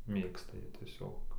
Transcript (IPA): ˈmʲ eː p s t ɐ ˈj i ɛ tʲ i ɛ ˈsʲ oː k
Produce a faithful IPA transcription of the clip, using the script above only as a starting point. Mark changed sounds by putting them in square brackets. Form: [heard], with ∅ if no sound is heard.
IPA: ˈmʲ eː [k] s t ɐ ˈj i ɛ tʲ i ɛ ˈsʲ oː k